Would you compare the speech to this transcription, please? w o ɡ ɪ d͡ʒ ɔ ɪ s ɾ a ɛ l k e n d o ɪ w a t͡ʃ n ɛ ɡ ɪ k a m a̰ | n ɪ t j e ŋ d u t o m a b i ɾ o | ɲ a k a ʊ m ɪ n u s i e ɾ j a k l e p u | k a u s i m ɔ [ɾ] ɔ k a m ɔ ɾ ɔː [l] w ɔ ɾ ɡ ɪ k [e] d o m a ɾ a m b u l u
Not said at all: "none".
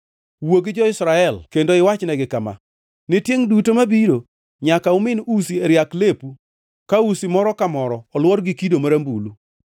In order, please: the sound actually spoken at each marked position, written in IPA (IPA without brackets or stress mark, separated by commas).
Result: ɾ, l, i